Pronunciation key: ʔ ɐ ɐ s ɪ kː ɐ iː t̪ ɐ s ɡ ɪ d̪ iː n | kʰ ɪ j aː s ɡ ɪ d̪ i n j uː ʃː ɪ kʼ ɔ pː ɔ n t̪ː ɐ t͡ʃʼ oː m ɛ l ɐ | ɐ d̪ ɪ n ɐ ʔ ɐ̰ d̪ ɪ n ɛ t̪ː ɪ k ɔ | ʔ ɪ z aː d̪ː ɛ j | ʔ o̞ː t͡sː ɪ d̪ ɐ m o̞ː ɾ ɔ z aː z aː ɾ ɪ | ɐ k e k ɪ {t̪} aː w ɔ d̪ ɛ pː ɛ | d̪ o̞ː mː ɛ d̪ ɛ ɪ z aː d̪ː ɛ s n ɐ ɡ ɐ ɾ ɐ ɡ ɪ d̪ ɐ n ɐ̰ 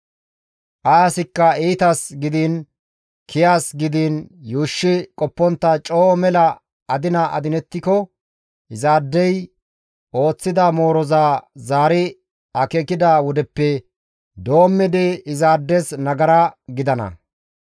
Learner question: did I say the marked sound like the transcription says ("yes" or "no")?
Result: no